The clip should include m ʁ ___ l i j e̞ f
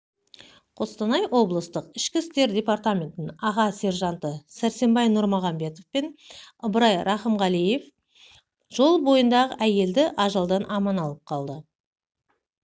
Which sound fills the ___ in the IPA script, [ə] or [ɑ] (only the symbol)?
ɑ